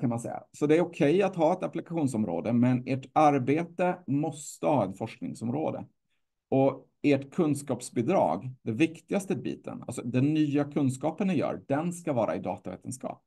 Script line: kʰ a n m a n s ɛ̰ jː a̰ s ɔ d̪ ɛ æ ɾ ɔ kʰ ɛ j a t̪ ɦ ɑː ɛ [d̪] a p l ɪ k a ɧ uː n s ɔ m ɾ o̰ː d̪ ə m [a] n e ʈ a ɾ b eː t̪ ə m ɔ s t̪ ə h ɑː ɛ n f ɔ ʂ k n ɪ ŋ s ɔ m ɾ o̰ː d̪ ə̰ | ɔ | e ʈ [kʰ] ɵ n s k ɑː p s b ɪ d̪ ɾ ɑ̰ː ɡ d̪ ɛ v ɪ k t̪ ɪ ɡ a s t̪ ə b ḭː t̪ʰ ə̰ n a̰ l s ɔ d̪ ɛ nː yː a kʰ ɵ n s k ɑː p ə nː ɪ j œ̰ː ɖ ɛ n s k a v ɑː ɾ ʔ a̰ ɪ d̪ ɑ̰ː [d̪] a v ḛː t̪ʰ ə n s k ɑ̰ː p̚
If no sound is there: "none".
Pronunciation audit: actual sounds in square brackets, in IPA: t̪, ɛ, kʰ, t̪

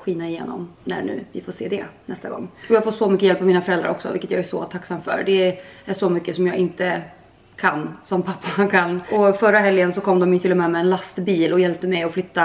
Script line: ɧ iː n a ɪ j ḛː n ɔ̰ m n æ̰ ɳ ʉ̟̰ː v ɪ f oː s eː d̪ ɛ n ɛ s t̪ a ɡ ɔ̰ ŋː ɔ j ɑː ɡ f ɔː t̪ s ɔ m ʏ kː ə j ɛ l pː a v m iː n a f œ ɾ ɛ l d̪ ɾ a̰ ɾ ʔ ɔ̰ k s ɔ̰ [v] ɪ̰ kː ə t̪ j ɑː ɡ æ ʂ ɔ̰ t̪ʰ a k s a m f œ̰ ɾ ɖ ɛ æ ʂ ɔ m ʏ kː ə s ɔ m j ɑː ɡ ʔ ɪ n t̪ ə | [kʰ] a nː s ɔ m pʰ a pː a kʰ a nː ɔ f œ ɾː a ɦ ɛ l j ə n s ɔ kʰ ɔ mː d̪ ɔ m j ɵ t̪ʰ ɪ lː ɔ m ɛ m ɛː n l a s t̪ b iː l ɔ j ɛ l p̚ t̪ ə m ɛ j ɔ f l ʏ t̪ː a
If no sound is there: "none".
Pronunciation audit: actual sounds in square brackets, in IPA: v, kʰ

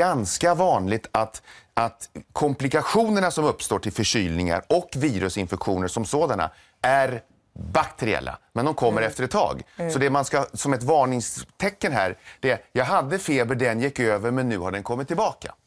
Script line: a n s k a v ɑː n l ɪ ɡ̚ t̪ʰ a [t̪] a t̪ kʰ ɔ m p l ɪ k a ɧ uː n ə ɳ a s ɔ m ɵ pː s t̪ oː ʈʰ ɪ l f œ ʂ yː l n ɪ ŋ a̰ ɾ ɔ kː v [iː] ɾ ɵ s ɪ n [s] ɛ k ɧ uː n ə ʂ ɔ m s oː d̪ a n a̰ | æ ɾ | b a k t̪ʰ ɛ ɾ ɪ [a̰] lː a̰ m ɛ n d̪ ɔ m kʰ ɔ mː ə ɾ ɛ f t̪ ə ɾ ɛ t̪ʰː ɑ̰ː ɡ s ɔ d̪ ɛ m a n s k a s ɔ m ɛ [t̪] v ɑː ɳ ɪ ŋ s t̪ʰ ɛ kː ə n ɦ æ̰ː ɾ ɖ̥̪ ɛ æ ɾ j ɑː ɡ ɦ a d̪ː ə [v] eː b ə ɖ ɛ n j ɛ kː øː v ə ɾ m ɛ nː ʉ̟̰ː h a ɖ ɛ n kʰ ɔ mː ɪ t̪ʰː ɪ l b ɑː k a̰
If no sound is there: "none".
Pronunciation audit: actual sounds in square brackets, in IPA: t̪, iː, f, ɛ̰, t̪, f

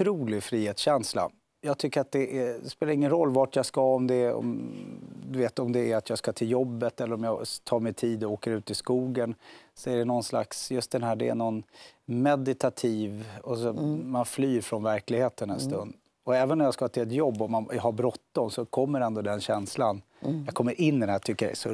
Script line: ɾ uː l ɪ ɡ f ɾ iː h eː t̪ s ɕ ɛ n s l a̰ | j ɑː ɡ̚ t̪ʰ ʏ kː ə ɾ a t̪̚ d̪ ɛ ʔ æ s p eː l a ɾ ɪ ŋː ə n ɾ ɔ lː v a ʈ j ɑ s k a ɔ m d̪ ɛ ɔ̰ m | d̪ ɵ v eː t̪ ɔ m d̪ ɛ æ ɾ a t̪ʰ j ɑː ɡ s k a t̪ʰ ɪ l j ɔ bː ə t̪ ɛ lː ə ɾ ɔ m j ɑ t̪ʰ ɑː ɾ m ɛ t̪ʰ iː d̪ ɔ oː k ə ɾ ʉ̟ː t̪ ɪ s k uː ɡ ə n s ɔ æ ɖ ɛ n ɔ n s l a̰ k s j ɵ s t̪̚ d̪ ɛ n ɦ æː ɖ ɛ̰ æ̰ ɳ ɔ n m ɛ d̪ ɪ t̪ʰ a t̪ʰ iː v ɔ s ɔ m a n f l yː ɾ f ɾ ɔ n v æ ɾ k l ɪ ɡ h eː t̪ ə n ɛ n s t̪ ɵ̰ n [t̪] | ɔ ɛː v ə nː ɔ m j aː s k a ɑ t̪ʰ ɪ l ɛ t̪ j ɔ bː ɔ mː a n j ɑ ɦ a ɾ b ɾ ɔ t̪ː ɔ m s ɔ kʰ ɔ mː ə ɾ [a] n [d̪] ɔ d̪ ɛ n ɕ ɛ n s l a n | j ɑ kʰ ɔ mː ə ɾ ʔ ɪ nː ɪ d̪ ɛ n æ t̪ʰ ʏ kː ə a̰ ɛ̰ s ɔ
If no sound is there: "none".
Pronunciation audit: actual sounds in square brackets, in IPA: d̪, ɛ, d̪

